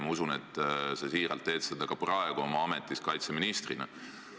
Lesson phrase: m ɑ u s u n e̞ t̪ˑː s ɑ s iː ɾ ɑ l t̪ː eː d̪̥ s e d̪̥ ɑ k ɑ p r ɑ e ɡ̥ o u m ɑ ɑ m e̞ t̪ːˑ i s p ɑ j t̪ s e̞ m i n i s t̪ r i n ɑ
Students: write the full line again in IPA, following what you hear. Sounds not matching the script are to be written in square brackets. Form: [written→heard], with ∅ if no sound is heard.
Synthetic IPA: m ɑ u s u n e̞ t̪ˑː s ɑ s iː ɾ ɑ l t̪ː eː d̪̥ s e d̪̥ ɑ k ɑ p r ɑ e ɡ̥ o [u→o] m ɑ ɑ m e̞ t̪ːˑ i s [p→k] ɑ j t̪ s e̞ m i n i s t̪ r i n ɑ